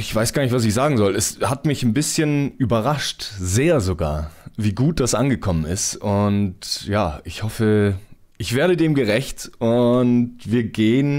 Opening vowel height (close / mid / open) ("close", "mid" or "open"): close